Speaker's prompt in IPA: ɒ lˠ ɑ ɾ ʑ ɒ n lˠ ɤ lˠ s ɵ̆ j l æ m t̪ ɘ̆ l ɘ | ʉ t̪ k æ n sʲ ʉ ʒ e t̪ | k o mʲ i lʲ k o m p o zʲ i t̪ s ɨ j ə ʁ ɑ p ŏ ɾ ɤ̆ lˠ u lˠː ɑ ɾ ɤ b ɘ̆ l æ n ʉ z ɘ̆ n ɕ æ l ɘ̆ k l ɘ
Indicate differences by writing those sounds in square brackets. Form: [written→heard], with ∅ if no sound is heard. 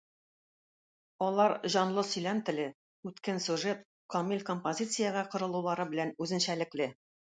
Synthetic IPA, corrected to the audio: ɒ lˠ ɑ ɾ ʑ ɒ n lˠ ɤ [lˠ→∅] s ɵ̆ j l æ m t̪ ɘ̆ l ɘ | ʉ t̪ k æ n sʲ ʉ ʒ e t̪ | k o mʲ i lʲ k o m p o zʲ i t̪ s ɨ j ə ʁ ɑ [p→q] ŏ ɾ ɤ̆ lˠ u [lˠː→lˠ] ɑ ɾ ɤ b ɘ̆ l æ n ʉ z ɘ̆ n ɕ æ l ɘ̆ k l ɘ